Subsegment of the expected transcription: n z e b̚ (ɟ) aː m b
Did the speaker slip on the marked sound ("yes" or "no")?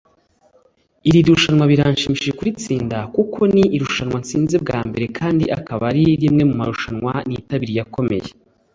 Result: yes